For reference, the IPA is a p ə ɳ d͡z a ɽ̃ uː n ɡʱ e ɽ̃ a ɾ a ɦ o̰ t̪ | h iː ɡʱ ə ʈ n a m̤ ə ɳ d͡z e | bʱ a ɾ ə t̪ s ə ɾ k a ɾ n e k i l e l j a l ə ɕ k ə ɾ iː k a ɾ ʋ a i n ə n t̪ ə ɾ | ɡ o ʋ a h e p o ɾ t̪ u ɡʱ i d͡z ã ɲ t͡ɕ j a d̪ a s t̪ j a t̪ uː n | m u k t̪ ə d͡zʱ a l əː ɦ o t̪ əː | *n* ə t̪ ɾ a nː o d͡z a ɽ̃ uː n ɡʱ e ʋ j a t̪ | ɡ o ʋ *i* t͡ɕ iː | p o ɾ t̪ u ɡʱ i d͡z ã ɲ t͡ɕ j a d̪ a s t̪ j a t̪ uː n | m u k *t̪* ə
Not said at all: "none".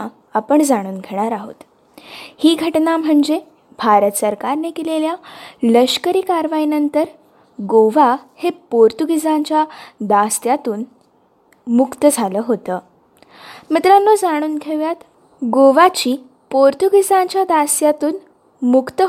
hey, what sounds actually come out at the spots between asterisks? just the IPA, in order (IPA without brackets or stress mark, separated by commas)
m, a, t̪